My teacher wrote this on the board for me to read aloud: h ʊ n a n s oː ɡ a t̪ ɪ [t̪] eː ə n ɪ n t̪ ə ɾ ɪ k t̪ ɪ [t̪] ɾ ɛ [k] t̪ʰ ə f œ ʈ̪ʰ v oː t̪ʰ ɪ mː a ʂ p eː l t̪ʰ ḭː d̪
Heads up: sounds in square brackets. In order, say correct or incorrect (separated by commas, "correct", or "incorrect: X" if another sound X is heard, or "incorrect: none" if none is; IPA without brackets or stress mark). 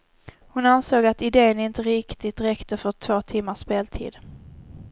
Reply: incorrect: d̪, correct, correct